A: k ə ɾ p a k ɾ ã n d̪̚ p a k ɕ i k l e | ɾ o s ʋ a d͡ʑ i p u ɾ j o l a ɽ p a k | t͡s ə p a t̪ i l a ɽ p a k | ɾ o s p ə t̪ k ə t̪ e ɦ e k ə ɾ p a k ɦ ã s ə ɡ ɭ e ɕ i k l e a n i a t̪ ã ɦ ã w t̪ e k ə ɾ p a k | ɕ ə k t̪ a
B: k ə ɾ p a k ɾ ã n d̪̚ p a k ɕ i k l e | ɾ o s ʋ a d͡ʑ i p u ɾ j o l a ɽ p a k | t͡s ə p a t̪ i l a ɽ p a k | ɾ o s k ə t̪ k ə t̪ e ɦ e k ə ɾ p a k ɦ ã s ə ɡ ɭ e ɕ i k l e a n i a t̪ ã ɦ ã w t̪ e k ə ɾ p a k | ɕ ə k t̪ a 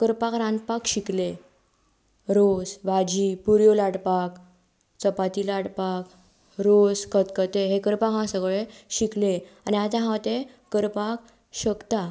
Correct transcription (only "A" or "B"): B